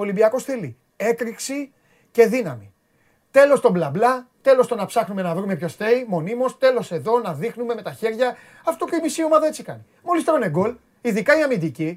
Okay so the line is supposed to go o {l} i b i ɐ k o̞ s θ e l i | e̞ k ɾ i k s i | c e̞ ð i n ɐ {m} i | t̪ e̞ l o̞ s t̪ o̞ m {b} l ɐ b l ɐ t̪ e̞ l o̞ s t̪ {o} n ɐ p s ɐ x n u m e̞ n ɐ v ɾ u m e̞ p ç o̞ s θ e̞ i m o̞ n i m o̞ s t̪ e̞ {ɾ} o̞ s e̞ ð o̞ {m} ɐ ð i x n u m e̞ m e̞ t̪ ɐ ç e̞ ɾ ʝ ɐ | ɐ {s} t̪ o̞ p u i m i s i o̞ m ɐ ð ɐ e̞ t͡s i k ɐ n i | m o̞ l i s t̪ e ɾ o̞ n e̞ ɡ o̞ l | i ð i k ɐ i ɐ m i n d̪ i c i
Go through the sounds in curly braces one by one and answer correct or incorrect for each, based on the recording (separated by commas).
correct, correct, correct, correct, incorrect, incorrect, incorrect